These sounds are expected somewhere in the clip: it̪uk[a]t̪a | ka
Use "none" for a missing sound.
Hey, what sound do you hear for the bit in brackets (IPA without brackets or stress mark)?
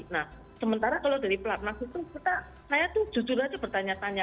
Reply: i